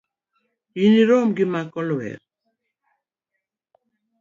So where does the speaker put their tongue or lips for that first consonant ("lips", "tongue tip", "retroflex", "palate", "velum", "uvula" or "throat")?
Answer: tongue tip